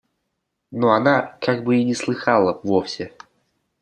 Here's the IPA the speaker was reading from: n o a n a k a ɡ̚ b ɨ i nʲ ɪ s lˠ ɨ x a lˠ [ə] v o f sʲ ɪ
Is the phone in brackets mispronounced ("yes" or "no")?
no